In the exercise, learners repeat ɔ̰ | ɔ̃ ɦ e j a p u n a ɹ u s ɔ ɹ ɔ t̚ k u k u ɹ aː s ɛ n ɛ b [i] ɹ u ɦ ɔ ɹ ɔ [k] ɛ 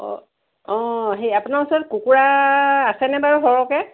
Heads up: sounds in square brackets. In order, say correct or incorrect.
incorrect: a, correct

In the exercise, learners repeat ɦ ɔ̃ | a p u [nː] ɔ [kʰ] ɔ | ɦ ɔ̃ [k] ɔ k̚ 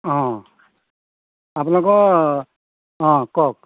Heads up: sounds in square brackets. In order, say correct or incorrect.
incorrect: n, incorrect: k, correct

